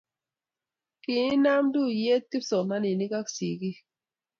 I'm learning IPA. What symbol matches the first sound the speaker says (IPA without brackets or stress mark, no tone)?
k